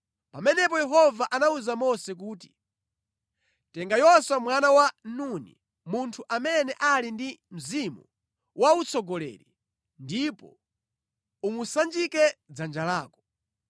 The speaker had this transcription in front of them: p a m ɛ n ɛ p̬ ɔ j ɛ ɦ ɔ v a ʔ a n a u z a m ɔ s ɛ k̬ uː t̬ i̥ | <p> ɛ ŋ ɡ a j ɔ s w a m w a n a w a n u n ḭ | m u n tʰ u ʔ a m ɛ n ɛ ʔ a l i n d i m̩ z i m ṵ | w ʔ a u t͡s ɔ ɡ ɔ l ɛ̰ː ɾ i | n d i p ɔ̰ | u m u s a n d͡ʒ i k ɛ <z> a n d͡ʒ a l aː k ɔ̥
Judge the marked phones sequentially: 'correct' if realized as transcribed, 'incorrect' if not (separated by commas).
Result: incorrect, incorrect